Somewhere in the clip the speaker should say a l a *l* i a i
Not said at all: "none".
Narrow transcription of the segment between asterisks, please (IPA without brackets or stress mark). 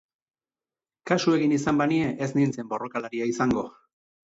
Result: ɾ